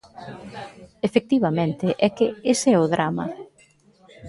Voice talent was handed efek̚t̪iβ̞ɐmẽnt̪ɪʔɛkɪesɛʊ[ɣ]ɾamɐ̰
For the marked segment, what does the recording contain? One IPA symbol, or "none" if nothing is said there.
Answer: ð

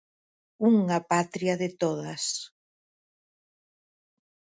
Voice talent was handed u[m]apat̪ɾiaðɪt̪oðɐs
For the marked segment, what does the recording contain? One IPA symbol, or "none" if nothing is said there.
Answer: ŋ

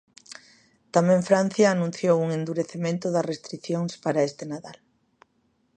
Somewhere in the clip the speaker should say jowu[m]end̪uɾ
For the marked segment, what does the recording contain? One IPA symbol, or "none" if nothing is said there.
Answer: ŋ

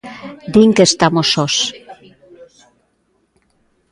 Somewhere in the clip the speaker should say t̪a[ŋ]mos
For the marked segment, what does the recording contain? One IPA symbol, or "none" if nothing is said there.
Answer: none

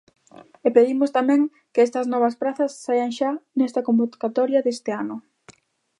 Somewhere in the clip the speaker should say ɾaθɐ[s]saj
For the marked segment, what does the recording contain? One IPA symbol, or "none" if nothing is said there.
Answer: s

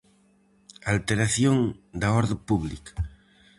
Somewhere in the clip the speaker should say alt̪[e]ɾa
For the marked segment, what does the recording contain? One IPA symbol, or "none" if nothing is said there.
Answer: e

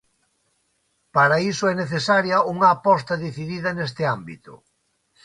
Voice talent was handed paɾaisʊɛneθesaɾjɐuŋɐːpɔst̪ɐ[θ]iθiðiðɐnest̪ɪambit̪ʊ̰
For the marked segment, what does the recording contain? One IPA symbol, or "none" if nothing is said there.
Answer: ð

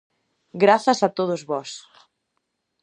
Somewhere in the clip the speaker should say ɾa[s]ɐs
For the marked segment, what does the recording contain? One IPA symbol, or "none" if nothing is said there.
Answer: θ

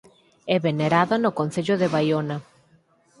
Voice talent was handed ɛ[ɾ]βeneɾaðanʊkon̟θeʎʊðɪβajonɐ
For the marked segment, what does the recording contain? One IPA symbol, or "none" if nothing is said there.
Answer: none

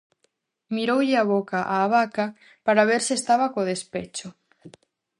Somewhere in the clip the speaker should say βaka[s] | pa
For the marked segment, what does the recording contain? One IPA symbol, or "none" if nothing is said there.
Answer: none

